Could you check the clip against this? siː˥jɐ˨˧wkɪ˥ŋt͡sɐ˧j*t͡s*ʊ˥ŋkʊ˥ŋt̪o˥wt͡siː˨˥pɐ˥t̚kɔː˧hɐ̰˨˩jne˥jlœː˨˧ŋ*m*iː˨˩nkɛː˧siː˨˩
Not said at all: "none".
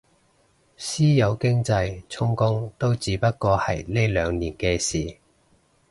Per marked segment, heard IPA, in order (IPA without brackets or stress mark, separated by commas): t͡sʰ, n